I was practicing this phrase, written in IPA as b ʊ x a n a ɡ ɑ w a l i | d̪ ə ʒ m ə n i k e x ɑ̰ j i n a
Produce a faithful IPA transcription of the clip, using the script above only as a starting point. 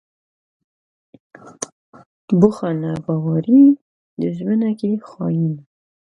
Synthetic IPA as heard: b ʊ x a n a b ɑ w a ɾ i | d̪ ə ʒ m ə n a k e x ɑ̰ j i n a